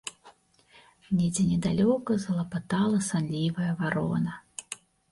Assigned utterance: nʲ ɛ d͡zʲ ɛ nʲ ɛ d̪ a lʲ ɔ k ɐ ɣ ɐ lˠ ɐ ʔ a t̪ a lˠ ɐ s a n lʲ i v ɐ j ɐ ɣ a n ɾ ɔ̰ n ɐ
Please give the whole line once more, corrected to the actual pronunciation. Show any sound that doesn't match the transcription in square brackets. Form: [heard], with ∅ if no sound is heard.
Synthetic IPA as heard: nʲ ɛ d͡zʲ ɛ nʲ ɛ d̪ a lʲ ɔ k ɐ [z] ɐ lˠ ɐ [p] a t̪ a lˠ ɐ s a n lʲ i v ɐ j ɐ [v] a [∅] ɾ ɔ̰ n ɐ